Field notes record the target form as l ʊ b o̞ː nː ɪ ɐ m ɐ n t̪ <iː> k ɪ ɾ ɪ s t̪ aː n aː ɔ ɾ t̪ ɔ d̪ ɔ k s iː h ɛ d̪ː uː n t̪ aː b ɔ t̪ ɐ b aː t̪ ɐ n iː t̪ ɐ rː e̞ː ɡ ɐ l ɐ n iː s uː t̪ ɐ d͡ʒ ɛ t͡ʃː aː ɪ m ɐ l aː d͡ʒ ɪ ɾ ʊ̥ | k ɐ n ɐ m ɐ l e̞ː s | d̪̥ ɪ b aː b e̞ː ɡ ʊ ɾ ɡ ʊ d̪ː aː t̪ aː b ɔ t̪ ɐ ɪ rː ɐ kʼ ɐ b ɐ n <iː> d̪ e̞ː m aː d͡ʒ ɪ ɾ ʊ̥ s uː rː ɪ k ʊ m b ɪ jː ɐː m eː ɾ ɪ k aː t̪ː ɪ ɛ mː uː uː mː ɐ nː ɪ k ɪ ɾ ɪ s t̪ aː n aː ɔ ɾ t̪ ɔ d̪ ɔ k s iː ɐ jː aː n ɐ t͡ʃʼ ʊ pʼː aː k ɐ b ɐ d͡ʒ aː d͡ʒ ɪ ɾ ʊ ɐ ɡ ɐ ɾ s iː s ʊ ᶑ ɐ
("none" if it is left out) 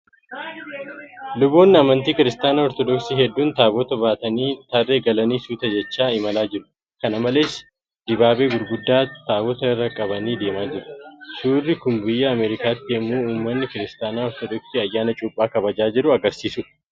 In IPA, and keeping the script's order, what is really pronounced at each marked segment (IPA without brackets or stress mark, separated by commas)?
iː, iː